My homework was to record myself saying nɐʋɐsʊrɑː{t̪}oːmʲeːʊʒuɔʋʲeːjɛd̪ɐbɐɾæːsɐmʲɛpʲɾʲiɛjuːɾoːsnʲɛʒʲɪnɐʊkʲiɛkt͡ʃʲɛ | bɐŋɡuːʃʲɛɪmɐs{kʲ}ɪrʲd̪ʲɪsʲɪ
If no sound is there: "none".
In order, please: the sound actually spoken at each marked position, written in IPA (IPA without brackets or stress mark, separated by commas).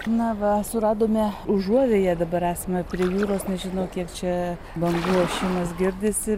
d̪, ɡʲ